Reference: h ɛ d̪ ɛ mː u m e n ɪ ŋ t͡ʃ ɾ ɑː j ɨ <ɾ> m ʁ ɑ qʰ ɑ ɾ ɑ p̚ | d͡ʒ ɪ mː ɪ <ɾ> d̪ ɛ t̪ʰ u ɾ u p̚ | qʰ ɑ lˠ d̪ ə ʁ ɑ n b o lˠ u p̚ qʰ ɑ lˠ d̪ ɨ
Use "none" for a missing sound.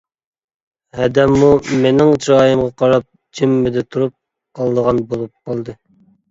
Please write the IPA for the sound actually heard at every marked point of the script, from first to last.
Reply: none, none

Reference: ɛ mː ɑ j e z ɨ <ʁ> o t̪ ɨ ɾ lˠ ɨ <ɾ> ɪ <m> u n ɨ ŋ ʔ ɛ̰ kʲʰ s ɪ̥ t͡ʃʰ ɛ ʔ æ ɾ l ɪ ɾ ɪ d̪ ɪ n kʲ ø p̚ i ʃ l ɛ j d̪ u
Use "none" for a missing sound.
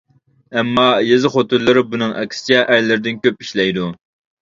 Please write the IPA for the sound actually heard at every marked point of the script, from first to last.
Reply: χ, ɾ, b

